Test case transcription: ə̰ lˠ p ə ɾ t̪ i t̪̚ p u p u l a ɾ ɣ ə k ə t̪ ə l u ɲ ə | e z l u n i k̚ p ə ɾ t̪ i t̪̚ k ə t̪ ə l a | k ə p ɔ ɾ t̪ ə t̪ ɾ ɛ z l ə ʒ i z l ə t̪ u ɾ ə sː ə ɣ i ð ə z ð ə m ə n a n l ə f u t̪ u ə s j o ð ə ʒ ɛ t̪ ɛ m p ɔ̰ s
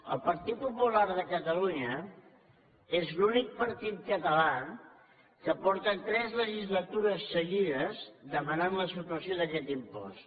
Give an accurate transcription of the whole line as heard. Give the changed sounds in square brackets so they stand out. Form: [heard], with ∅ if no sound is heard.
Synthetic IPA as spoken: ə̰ lˠ p ə ɾ t̪ i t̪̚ p u p u l a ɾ [ð] ə k ə t̪ ə l u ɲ ə | e z l u n i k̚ p ə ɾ t̪ i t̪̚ k ə t̪ ə l a | k ə p ɔ ɾ t̪ ə t̪ ɾ ɛ z l ə ʒ i z l ə t̪ u ɾ ə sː ə ɣ i ð ə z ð ə m ə n a n l ə [s] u t̪ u ə s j o ð ə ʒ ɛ t̪ [i] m p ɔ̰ s

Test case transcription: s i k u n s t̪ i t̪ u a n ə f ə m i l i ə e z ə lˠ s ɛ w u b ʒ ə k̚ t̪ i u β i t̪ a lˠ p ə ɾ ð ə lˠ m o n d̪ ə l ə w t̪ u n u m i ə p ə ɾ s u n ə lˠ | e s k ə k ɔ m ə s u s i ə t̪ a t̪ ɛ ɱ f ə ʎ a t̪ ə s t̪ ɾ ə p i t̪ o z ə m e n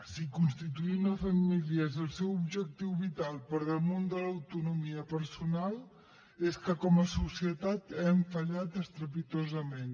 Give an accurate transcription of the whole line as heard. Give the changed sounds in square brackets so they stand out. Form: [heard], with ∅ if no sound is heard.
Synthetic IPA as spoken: s i k u n s t̪ i t̪ u [i] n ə f ə m i l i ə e z ə lˠ s ɛ w u b ʒ ə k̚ t̪ i [w] β i t̪ a lˠ p ə ɾ ð ə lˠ m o n d̪ ə l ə w t̪ u n u m i ə p ə ɾ s u n [a] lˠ | e s k ə k ɔ m ə s u s i ə t̪ a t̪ ɛ ɱ f ə ʎ a t̪ ə s t̪ ɾ ə p i t̪ o z ə m e n

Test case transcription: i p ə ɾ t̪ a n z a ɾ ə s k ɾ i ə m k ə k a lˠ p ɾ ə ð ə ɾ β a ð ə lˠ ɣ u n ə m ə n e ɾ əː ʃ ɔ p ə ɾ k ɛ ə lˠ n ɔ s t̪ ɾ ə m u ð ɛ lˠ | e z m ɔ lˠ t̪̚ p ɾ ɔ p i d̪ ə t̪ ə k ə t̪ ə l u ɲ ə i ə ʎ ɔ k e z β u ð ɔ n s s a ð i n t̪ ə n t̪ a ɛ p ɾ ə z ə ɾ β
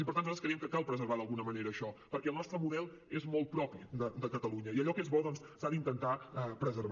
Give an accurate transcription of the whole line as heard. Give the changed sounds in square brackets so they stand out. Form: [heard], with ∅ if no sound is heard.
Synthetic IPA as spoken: i p ə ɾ t̪ a n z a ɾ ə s k ɾ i ə m k ə k a lˠ p ɾ ə [z] ə ɾ β a ð ə lˠ ɣ u n ə m ə n e ɾ əː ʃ ɔ p ə ɾ k ɛ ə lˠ n ɔ s t̪ ɾ ə m u ð ɛ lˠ | e z m ɔ lˠ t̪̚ p ɾ ɔ p i d̪ ə [d̪] ə k ə t̪ ə l u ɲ ə i ə ʎ ɔ k e z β [ɔ] ð ɔ n s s a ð i n t̪ ə n t̪ a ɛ p ɾ ə z ə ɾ β

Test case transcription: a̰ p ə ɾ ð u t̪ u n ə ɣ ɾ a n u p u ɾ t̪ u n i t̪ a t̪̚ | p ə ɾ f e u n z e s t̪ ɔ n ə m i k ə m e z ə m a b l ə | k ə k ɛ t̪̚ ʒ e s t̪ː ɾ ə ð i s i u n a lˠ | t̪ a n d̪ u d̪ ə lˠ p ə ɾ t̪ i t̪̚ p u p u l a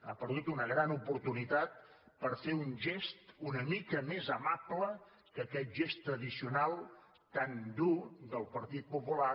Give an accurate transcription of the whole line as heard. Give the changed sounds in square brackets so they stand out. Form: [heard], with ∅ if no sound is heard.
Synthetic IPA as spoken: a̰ p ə ɾ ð u t̪ u n ə ɣ ɾ a n u p u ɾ t̪ u n i t̪ a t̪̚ | p ə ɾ f e u n [ʒ] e s t̪ [u] n ə m i k ə m e z ə m a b l ə | k ə k ɛ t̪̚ ʒ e s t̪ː ɾ ə ð i s i u n a lˠ | t̪ a n d̪ u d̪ ə lˠ p ə ɾ t̪ i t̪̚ p u p u l a

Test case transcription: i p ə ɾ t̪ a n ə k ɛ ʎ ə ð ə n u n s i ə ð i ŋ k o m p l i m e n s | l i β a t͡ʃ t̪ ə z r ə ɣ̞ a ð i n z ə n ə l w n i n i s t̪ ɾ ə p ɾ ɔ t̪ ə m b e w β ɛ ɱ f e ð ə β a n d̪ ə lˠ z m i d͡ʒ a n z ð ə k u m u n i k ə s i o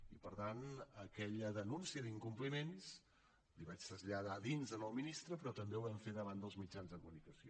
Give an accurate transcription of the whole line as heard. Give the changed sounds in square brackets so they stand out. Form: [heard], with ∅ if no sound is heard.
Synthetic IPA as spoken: i p ə ɾ t̪ a n ə k ɛ ʎ ə ð ə n u n s i ə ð i ŋ k [u] m p l i m e n s | l i β a t͡ʃ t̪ ə z [ʎ] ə [ð̞] a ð i n z ə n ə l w [m] i n i s t̪ ɾ ə p ɾ ɔ t̪ ə m b e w β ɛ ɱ f e ð ə β a n d̪ ə lˠ z m i d͡ʒ a n z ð ə k u m u n i k ə s i o

